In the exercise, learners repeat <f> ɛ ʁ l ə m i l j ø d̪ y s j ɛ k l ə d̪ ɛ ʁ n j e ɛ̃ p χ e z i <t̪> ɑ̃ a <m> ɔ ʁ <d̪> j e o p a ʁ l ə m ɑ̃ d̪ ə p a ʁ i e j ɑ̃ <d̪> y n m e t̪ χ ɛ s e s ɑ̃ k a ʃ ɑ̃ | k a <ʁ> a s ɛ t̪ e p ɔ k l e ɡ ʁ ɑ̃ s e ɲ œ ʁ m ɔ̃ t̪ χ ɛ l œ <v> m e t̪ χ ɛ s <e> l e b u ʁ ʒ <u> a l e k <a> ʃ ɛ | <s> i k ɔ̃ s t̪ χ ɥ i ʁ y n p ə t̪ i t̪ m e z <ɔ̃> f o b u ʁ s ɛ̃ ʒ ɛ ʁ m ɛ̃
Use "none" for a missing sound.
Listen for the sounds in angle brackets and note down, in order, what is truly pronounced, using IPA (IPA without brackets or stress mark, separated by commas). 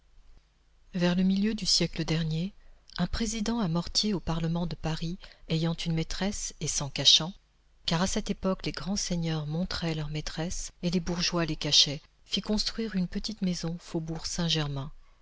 v, d̪, m, t̪, t̪, ʁ, ʁ, e, w, a, f, ɔ̃